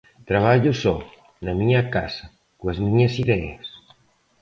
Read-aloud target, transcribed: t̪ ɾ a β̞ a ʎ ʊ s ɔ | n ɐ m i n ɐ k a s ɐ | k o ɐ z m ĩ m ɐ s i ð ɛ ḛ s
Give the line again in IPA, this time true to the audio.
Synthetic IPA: t̪ ɾ a β̞ a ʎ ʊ s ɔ | n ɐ m i ɲ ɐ k a s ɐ | k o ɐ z m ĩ ɲ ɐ s i ð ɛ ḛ s